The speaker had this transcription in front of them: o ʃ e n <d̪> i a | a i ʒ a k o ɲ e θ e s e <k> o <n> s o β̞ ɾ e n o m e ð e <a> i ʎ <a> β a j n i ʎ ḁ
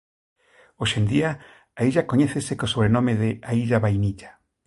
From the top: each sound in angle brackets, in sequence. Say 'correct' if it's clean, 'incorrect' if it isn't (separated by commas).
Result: correct, correct, incorrect, correct, correct